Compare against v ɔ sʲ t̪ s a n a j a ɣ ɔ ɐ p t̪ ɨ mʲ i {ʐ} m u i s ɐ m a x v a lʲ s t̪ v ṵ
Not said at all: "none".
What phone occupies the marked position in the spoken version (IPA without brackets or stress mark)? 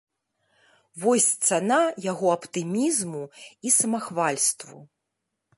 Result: z